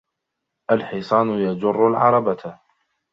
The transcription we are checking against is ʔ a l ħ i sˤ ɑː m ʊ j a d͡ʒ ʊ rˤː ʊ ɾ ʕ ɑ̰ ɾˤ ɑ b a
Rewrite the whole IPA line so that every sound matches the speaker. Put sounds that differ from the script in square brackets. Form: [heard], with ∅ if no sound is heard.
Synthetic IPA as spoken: ʔ a l ħ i sˤ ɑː [n] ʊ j a d͡ʒ ʊ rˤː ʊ [l] ʕ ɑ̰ ɾˤ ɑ b a